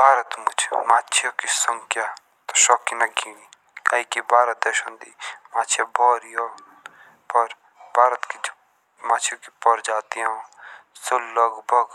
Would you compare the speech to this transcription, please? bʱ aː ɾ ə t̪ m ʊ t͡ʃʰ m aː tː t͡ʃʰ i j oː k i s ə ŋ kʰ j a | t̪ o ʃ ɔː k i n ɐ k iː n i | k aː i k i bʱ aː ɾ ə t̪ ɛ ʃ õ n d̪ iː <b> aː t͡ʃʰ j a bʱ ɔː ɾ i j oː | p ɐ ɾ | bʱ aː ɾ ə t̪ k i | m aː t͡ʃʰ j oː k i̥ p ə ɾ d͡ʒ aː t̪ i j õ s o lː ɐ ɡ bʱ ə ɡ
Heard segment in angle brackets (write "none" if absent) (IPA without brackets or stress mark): m